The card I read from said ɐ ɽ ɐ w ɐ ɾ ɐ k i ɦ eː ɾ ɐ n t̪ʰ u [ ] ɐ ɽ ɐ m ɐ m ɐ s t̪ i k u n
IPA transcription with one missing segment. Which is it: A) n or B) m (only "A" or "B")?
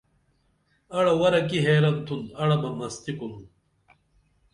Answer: A